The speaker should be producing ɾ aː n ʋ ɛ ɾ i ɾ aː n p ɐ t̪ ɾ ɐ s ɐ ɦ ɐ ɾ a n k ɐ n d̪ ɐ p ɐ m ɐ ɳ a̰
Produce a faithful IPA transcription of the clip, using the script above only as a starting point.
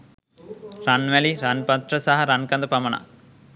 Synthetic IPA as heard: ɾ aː n ʋ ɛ l i ɾ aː n p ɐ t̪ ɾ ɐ s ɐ ɦ ɐ ɾ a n k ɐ n d̪ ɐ p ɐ m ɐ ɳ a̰